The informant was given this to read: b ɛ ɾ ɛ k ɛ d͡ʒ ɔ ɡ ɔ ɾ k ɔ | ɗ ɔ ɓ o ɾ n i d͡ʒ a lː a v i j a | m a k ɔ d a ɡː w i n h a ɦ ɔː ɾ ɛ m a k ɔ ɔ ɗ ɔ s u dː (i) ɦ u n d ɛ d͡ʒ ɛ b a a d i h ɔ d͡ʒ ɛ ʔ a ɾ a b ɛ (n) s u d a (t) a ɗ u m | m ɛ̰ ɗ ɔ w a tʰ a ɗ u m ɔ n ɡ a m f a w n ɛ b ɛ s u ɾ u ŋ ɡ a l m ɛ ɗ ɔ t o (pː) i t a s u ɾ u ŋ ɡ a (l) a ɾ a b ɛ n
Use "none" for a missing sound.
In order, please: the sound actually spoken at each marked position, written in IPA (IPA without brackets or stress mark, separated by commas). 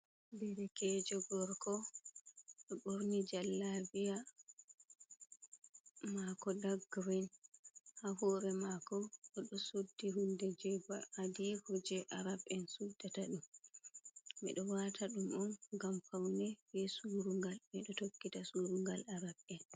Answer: i, n, t, kː, l